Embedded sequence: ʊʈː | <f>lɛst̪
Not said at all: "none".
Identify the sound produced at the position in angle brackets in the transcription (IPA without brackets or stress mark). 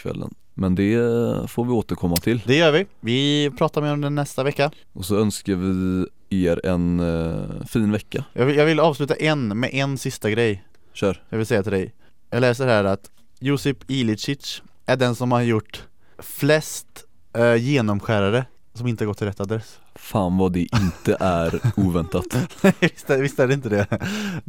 f